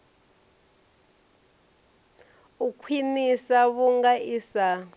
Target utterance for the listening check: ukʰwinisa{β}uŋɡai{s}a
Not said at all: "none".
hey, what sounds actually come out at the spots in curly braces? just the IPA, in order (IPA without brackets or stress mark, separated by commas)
β, s